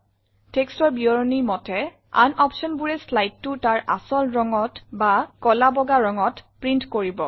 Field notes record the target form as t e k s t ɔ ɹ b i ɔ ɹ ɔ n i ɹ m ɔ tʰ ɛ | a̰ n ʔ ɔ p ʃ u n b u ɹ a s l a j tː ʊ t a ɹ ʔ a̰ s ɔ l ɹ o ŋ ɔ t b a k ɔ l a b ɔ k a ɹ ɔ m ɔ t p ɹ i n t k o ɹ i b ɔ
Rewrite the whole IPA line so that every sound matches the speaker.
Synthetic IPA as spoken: t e k s t ɔ ɹ b i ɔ ɹ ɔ n i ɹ m ɔ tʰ ɛ | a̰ n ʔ ɔ p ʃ ɔ n b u ɹ ɛ s l a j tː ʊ t a ɹ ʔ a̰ s ɔ l ɹ ɔ ŋ ɔ t b a k ɔ l a b ɔ ɡ a ɹ ɔ ŋ ɔ t p ɹ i n t k o ɹ i b ɔ